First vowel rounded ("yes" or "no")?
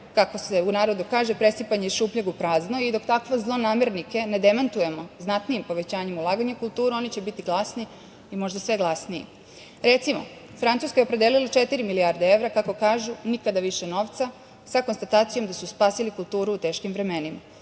no